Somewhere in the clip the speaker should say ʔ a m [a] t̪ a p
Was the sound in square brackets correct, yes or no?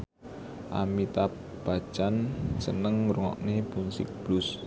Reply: no